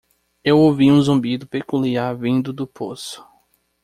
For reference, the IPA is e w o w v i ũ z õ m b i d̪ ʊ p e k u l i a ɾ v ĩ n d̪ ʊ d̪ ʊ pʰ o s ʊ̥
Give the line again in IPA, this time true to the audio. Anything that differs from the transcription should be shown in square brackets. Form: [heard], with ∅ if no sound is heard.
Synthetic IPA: e w o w v i ũ z õ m b i d̪ ʊ p e k u l i a ɾ v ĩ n d̪ ʊ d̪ ʊ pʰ o s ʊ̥